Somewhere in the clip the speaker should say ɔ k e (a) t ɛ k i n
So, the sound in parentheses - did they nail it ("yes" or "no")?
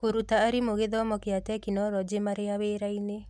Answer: yes